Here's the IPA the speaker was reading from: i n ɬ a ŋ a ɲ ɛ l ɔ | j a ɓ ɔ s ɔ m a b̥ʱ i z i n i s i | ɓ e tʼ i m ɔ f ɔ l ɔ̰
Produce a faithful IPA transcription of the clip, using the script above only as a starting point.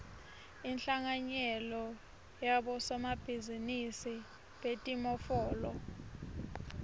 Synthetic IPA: i n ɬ a ŋ a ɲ ɛ l ɔ | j a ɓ ɔ s ɔ m a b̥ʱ i z i n i s i | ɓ e tʼ i m ɔ f ɔː l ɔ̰